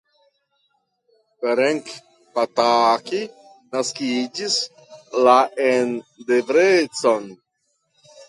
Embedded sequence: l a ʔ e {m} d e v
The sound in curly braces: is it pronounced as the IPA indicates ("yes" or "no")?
no